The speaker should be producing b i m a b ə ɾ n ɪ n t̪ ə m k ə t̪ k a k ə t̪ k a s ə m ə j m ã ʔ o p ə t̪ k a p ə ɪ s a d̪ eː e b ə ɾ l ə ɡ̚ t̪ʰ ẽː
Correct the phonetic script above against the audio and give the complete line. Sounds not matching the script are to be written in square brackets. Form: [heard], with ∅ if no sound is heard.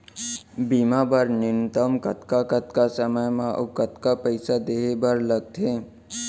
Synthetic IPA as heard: b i m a b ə ɾ n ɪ n t̪ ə m k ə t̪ k a k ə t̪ k a s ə m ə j m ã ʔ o [k] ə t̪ k a p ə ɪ s a d̪ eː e b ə ɾ l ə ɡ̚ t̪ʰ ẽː